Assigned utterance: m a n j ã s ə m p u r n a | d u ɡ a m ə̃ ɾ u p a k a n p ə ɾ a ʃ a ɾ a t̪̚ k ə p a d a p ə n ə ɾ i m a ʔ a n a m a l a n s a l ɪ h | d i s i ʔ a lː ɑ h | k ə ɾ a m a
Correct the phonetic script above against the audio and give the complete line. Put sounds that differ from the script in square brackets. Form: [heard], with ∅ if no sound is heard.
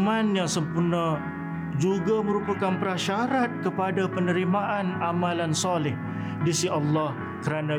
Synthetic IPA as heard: m a n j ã s ə m p u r n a | [d͡ʒ] u ɡ a m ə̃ ɾ u p a k a n p ə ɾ a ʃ a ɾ a t̪̚ k ə p a d a p ə n ə ɾ i m a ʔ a n a m a l a n s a l ɪ h | d i s i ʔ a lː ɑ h | k ə ɾ a [n] a